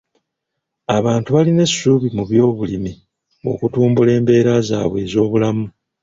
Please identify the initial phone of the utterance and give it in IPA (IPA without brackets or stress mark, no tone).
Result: a